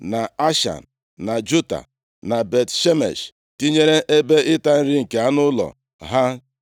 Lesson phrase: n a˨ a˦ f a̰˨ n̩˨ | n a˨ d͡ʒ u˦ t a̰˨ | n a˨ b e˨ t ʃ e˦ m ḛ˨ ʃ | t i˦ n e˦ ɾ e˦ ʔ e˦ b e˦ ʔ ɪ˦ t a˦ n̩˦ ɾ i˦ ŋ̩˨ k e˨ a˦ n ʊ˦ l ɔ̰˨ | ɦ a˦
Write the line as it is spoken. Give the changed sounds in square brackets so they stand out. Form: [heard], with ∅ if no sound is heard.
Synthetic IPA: n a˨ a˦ [ʃ] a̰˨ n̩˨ | n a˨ d͡ʒ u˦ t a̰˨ | n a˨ b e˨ t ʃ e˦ m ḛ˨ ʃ | t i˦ [ɲ] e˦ ɾ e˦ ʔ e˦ b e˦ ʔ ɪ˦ t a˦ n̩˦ ɾ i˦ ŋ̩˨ k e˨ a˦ n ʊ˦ l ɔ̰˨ | ɦ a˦